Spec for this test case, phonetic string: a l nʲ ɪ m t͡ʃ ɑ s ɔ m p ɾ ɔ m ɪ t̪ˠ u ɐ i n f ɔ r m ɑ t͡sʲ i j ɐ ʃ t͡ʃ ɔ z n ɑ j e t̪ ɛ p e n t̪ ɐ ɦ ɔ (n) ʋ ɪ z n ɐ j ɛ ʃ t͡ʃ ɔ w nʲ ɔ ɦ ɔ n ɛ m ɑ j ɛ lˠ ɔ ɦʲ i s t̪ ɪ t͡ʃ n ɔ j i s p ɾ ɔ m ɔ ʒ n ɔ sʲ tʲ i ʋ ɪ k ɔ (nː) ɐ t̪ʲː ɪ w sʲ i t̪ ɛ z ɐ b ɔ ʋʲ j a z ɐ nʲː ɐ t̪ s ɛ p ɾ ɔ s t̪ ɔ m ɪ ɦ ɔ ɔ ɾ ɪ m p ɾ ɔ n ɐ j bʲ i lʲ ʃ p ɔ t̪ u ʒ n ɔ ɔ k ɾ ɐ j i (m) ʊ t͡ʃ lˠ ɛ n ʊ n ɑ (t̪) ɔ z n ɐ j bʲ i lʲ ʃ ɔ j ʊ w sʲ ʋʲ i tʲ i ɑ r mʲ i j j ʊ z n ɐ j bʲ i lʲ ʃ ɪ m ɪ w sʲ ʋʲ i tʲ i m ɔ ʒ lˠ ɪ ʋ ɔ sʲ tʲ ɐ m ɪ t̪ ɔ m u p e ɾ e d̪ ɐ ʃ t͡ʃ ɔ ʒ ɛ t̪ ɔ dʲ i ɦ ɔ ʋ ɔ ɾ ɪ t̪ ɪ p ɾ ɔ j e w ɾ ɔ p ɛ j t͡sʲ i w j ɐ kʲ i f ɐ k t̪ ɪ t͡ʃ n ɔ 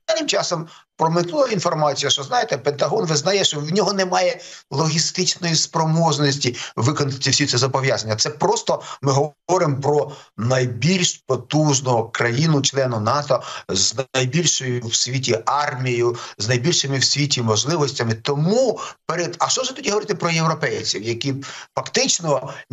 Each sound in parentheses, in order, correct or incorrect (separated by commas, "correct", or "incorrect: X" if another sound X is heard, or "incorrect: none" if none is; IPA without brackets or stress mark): correct, incorrect: n, incorrect: n, correct